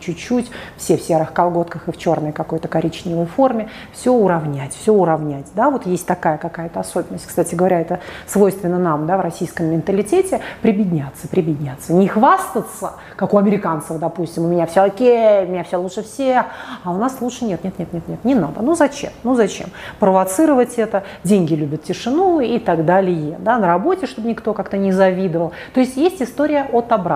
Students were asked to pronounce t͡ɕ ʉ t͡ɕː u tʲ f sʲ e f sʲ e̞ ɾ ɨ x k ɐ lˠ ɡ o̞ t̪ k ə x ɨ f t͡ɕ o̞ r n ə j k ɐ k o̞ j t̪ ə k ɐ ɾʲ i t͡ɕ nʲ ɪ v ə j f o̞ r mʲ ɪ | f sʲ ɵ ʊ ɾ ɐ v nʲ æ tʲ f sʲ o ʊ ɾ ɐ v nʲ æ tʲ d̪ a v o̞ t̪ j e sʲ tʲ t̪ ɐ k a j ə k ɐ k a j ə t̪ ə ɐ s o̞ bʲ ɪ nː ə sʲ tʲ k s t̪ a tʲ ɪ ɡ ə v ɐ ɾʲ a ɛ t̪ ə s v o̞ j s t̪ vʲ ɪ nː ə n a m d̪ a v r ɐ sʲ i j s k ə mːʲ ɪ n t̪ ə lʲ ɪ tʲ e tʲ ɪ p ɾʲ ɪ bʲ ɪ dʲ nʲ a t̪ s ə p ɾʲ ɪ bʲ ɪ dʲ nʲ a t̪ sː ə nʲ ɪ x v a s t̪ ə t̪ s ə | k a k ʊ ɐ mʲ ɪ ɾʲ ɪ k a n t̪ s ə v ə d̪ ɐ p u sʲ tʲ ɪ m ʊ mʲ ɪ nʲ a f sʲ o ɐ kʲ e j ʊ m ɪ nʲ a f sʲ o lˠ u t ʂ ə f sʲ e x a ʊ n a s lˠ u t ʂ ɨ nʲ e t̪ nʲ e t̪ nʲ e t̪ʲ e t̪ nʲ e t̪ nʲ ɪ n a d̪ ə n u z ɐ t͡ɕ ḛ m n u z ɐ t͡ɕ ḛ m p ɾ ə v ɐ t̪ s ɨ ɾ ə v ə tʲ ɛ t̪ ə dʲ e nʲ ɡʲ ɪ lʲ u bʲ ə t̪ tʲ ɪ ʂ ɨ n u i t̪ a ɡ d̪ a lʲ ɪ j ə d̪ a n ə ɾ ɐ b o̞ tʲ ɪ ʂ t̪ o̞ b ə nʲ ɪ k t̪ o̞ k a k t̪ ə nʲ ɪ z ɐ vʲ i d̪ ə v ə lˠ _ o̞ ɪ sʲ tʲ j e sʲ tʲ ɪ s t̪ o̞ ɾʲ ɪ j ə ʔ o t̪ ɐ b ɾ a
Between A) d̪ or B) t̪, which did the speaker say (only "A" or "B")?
B